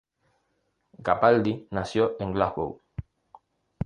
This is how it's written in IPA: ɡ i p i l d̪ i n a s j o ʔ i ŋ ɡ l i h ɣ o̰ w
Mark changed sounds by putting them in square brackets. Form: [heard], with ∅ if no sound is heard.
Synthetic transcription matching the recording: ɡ [a] p [a] l d̪ i n a s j o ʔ [e] ŋ ɡ l [a] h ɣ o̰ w

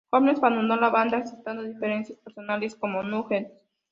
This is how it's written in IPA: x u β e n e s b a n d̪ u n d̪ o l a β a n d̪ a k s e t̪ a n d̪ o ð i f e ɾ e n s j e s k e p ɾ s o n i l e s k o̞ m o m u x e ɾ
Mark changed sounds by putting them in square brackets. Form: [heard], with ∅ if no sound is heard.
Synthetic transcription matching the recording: x [o] β e n e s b a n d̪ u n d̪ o l a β a n d̪ a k s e t̪ a n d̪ o ð i f e ɾ e n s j [a] s [p] e [∅] ɾ s o n [a] l e s k o̞ m o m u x e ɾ

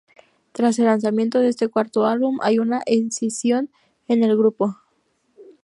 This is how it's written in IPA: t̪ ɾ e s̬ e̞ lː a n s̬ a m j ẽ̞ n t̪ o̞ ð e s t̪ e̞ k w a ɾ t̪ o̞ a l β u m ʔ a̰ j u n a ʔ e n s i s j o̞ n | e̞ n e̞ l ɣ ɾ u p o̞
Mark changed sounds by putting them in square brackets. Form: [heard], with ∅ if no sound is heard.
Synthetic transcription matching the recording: t̪ ɾ [a] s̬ e̞ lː a n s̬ a m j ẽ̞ n t̪ o̞ ð e s t̪ e̞ k w a ɾ t̪ o̞ a l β u m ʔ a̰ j u n a ʔ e n s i s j o̞ n | e̞ n e̞ l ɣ ɾ u p o̞

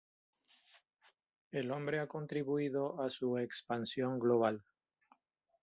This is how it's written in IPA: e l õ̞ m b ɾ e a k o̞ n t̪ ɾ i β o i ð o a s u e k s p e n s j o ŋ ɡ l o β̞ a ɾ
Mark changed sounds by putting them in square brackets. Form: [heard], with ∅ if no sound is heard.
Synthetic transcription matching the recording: e l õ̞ m b ɾ e a k o̞ n t̪ ɾ i β [u] i ð o a s u e k s p [a] n s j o ŋ ɡ l o β̞ a [l]

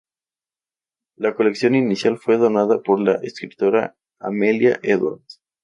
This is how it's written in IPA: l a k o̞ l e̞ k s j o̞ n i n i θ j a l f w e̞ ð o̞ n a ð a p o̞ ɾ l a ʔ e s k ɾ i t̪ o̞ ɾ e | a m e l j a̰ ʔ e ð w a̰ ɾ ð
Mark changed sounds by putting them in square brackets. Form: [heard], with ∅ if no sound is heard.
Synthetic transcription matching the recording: l a k o̞ l e̞ k s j o̞ n i n i [s] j a l f w e̞ ð o̞ n a ð a p o̞ ɾ l a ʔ e s k ɾ i t̪ o̞ ɾ [a] | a m e l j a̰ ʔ e ð w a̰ ɾ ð

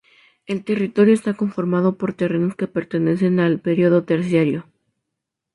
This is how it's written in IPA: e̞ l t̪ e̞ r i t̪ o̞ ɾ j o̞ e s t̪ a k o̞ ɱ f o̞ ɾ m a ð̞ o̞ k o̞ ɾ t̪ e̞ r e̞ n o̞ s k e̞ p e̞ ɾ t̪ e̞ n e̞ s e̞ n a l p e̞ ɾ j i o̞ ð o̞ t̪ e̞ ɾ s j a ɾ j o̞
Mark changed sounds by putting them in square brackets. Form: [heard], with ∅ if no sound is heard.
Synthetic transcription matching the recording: e̞ l t̪ e̞ r i t̪ o̞ ɾ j o̞ e s t̪ a k o̞ ɱ f o̞ ɾ m a ð̞ o̞ [p] o̞ ɾ t̪ e̞ r e̞ n o̞ s k e̞ p e̞ ɾ t̪ e̞ n e̞ s e̞ n a l p e̞ ɾ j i o̞ ð o̞ t̪ e̞ ɾ s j a ɾ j o̞

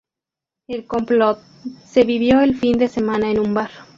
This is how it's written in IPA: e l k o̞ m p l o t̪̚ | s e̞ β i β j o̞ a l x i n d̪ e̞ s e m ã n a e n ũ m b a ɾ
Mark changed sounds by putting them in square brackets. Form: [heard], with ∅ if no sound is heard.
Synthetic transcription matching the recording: e l k o̞ m p l o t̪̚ | s e̞ β i β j o̞ [e] l [f] i n d̪ e̞ s e m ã n a e n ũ m b a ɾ

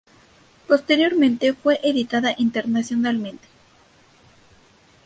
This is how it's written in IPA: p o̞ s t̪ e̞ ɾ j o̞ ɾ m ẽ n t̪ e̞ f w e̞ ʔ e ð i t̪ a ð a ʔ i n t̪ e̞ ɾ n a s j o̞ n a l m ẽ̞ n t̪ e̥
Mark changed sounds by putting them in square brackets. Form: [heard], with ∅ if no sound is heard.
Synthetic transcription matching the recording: p o̞ s t̪ e̞ ɾ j o̞ ɾ m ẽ n t̪ e̞ f w e̞ ʔ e ð i t̪ a ð a ʔ i n t̪ e̞ ɾ n a s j o̞ n a l m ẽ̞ n t̪ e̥

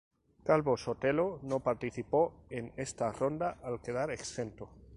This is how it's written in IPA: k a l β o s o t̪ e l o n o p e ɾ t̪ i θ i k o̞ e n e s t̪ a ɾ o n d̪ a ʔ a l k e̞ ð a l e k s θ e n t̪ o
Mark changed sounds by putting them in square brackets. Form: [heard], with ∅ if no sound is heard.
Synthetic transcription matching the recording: k a l β o s o t̪ e l o n o p [a] ɾ t̪ i θ i [p] o̞ e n e s t̪ a [r] o n d̪ a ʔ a l k e̞ ð a [ɾ] e k s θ e n t̪ o

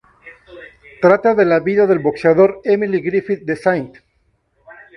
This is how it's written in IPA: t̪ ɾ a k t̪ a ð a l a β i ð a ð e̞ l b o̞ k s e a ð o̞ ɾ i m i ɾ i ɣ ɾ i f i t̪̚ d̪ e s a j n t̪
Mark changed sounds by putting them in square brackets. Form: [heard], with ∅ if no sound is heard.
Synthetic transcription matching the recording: t̪ ɾ a [∅] t̪ a ð [e] l a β i ð a ð e̞ l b o̞ k s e a ð o̞ ɾ [e] m i [l] i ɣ ɾ i f i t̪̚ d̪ e s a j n t̪

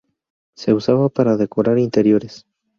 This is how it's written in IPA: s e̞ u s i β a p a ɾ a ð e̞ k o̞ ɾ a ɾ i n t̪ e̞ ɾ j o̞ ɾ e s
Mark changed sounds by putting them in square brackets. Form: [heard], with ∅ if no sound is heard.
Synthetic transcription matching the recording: s e̞ u s [a] β a p a ɾ a ð e̞ k o̞ ɾ a ɾ i n t̪ e̞ ɾ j o̞ ɾ e s

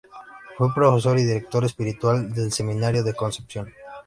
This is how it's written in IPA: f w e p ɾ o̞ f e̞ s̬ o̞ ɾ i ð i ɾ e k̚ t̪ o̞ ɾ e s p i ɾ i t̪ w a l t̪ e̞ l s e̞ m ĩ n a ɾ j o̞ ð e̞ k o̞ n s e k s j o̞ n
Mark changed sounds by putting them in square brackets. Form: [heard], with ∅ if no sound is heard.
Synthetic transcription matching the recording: f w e p ɾ o̞ f e̞ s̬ o̞ ɾ i ð i ɾ e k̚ t̪ o̞ ɾ e s p i ɾ i t̪ w a l [d̪] e̞ l s e̞ m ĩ n a ɾ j o̞ ð e̞ k o̞ n s e [p] s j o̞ n

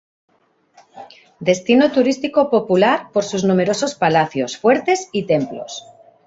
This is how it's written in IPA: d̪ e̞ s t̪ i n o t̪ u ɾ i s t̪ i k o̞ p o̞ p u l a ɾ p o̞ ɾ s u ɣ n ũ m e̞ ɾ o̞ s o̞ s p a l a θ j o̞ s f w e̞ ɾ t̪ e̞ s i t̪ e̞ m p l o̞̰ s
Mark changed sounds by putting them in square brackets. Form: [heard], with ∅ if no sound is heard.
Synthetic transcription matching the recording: d̪ e̞ s t̪ i n o t̪ u ɾ i s t̪ i k o̞ p o̞ p u l a ɾ p o̞ ɾ s u [z] n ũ m e̞ ɾ o̞ s o̞ s p a l a θ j o̞ s f w e̞ ɾ t̪ e̞ s i t̪ e̞ m p l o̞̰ s

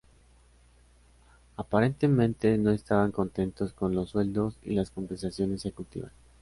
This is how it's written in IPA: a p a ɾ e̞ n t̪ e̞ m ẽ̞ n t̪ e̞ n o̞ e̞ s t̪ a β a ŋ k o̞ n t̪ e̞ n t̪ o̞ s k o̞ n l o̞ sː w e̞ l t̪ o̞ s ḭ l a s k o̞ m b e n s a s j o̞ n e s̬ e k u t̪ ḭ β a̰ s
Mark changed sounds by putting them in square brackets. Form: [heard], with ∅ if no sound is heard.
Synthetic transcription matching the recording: a p a ɾ e̞ n t̪ e̞ m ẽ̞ n t̪ e̞ n o̞ e̞ s t̪ a β a ŋ k o̞ n t̪ e̞ n t̪ o̞ s k o̞ n l o̞ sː w e̞ l [d̪] o̞ s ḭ l a s k o̞ m b e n s a s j o̞ n e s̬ e k u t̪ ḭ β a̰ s

